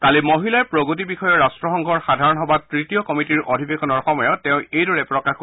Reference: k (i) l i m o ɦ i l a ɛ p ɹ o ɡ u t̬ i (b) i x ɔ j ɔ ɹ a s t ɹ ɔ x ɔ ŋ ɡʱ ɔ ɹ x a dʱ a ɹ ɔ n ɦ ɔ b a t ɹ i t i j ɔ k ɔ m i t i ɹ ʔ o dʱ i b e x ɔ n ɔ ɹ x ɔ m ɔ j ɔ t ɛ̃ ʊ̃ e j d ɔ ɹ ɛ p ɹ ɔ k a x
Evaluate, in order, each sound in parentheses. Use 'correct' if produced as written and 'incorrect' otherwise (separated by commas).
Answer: incorrect, correct